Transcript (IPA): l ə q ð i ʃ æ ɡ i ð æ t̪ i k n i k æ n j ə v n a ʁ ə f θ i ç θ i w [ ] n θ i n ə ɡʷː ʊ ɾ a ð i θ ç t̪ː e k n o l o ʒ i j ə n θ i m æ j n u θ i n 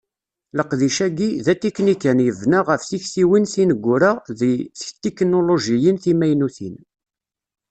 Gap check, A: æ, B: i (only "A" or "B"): B